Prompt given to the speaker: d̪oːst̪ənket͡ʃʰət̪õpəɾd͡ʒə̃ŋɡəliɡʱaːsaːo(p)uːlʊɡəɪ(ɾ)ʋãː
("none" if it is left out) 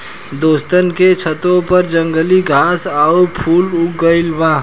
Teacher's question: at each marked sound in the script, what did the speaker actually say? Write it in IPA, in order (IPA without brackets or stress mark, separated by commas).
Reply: pʰ, l